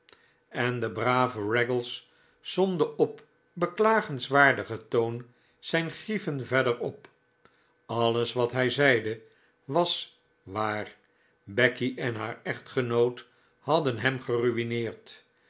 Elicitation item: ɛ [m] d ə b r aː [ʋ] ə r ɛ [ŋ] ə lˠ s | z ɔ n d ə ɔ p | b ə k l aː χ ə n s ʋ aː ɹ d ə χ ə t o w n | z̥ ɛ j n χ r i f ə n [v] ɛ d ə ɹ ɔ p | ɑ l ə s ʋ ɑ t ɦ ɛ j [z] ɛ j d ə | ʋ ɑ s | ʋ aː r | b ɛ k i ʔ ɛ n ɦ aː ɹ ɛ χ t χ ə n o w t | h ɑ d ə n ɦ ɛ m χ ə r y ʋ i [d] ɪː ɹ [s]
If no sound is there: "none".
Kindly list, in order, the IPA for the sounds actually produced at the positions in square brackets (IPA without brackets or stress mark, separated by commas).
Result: n, v, ɡ, v, z, n, t